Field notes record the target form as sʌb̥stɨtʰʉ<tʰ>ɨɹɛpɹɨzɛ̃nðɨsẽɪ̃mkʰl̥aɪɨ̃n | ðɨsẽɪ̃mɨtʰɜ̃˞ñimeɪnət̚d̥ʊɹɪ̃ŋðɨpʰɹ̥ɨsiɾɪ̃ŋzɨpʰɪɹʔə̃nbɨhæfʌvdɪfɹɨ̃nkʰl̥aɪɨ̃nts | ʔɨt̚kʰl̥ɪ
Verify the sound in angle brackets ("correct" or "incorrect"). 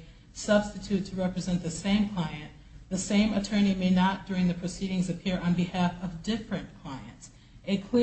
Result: correct